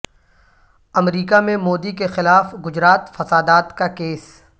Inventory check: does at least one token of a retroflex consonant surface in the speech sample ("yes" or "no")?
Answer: no